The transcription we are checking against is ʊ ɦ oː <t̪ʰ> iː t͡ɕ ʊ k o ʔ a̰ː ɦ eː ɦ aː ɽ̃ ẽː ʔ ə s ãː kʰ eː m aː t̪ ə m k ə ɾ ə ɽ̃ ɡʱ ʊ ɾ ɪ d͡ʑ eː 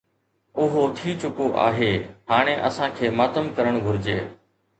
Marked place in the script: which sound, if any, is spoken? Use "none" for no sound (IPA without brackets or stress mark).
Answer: t̪ʰ